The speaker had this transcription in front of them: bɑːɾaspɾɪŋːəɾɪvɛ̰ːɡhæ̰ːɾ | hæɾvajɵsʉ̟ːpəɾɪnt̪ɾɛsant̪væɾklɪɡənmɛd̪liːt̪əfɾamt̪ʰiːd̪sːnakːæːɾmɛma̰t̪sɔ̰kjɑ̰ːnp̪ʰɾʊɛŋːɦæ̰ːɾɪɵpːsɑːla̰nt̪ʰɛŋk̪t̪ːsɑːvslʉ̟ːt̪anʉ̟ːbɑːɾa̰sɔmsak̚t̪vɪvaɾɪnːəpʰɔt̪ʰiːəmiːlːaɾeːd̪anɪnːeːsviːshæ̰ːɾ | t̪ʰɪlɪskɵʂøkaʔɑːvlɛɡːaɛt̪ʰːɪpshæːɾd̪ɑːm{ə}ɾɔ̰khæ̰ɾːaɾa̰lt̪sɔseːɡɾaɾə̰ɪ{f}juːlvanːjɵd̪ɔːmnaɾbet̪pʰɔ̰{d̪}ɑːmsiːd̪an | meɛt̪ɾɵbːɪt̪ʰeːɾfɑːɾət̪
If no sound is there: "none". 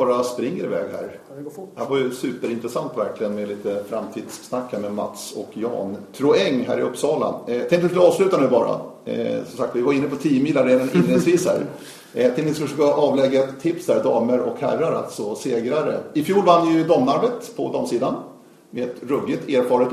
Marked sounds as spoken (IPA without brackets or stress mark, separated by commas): ə, f, d̪